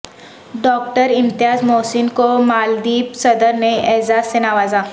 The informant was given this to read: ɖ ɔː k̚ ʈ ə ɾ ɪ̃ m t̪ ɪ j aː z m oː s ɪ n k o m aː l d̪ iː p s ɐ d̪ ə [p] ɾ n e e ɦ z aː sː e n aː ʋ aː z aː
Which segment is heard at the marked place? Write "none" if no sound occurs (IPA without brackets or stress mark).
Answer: none